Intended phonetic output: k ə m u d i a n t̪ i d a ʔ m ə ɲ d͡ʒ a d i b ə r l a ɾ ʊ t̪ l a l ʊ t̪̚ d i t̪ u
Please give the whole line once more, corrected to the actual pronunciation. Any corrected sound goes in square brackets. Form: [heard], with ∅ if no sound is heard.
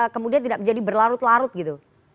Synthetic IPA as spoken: k ə m u d i a n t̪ i d a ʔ m ə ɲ d͡ʒ a d i b ə r l a ɾ ʊ t̪ l a [ɾ] ʊ t̪̚ [ɡ] i t̪ u